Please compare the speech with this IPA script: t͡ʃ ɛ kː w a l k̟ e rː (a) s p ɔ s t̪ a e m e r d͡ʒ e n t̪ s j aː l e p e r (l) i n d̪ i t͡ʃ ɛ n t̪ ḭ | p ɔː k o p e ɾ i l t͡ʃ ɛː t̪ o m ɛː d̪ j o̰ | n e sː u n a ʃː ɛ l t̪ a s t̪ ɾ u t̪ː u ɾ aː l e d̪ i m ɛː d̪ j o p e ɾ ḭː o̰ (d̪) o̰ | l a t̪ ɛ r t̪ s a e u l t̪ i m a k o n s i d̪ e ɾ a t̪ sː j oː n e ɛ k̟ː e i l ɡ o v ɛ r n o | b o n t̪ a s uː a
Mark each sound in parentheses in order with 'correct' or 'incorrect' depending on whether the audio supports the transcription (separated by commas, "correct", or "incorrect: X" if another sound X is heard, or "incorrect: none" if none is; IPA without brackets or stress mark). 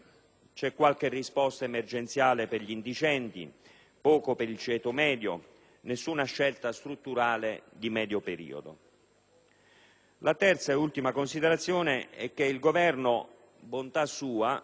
incorrect: i, incorrect: ʎ, correct